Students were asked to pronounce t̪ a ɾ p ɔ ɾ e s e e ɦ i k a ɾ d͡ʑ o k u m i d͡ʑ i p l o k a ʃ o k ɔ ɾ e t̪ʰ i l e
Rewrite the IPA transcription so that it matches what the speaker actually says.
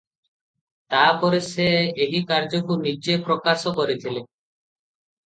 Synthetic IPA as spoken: t̪ a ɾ p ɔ ɾ e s e e ɦ i k a ɾ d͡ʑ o k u n i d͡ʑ e p ɾ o k a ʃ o k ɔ ɾ e t̪ʰ i l e

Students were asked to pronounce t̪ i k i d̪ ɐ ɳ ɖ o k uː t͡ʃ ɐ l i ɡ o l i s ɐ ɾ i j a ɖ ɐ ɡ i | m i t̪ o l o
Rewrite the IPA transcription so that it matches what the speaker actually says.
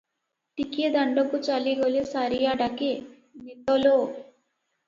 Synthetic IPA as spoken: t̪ i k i d̪ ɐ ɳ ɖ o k u t͡ʃ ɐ l i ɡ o l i s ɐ ɾ i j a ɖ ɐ k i | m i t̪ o l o

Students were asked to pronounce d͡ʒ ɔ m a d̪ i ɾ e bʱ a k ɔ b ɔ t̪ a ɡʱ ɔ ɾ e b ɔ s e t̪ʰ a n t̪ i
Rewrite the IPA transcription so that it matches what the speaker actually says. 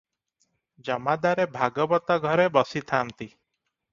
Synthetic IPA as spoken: d͡ʒ ɔ m a d̪ a ɾ e bʱ a ɡ ɔ b ɔ t̪ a ɡʱ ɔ ɾ e b ɔ s i t̪ʰ a n t̪ i

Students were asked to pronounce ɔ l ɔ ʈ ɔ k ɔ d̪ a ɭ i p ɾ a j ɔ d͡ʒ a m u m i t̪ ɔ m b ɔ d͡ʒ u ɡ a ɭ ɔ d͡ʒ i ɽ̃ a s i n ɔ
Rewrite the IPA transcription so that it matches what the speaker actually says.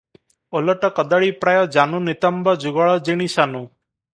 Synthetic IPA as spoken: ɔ l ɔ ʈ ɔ k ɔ d̪ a ɭ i p ɾ a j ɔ d͡ʒ a n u n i t̪ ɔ m b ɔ d͡ʒ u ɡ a ɭ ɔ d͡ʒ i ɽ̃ i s a n u

